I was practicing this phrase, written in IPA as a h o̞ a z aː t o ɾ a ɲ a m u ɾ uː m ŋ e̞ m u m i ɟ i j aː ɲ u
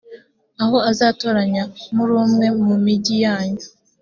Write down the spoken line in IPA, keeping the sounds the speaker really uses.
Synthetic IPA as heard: a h o̞ a z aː t o ɾ a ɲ a m u ɾ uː m ŋ e̞ m u m i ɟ i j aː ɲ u